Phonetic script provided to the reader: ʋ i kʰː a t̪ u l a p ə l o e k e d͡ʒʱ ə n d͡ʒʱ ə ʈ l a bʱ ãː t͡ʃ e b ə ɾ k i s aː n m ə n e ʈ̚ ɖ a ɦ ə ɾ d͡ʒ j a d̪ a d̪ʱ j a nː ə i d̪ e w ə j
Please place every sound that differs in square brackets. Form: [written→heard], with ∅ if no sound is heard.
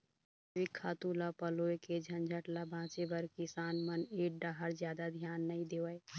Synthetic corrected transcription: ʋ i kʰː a t̪ u l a p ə l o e k e d͡ʒʱ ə n d͡ʒʱ ə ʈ l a bʱ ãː t͡ʃ e b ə ɾ k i s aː n m ə n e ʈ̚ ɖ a ɦ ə ɾ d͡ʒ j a d̪ a d̪ʱ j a nː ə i d̪ e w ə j